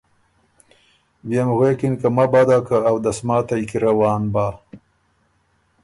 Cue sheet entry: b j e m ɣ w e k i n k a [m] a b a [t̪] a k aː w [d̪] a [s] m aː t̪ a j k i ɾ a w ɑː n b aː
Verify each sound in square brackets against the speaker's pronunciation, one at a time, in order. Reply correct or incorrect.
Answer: correct, incorrect: d̪, correct, correct

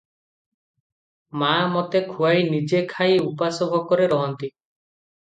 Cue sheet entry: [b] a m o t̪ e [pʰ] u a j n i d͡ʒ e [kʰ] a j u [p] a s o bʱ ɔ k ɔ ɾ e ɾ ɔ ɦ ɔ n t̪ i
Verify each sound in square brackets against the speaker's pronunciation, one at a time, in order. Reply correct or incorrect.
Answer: incorrect: m, incorrect: kʰ, correct, correct

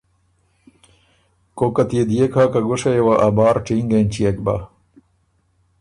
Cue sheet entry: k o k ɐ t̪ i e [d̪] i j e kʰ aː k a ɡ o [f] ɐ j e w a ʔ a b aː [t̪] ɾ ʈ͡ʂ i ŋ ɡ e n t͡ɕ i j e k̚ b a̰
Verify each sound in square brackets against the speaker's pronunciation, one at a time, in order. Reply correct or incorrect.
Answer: correct, incorrect: ʂ, incorrect: none

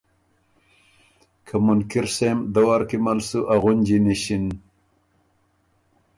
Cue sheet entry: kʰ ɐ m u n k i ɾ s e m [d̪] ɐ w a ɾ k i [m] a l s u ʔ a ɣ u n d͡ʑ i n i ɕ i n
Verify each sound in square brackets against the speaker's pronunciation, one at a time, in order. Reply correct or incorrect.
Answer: correct, correct

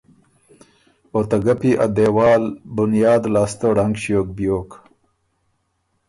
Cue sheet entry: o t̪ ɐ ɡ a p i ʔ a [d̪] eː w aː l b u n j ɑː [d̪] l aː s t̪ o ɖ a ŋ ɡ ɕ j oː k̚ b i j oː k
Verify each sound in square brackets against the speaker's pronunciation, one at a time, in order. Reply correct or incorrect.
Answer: correct, correct

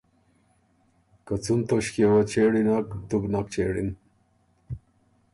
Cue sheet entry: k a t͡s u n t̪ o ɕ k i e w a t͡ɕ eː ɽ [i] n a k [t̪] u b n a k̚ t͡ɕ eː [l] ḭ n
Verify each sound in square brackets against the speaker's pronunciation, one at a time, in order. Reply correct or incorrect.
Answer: correct, correct, incorrect: ɽ

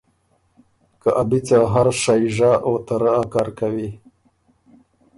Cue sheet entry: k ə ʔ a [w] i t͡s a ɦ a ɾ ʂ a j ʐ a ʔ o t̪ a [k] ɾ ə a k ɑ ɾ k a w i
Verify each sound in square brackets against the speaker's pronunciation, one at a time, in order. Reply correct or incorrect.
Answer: incorrect: b, incorrect: none

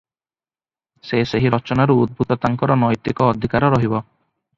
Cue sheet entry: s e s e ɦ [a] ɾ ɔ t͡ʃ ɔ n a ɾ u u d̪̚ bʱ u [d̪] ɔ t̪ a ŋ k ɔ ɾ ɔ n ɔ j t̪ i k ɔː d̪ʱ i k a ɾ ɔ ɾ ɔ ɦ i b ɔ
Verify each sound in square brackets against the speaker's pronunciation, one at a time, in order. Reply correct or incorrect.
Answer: incorrect: i, incorrect: t̪

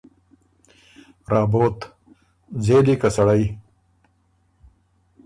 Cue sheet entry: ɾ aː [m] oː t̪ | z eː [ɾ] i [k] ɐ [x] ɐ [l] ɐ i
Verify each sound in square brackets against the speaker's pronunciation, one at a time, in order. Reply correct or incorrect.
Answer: incorrect: b, incorrect: l, correct, incorrect: s, incorrect: ɽ

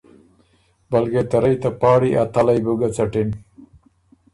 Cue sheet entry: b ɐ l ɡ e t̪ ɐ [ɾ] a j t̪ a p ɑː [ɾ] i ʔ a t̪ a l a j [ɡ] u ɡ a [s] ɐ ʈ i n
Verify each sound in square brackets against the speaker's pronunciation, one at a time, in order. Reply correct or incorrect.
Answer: correct, incorrect: ɽ, incorrect: b, incorrect: t͡s

